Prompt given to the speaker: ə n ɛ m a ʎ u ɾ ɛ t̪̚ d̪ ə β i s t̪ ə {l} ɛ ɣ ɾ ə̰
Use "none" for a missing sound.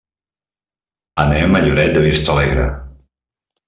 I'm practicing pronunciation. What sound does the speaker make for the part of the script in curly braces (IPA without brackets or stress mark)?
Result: l